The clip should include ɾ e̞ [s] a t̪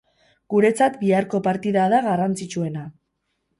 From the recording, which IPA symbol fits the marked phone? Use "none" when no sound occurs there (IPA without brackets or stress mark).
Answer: t͡s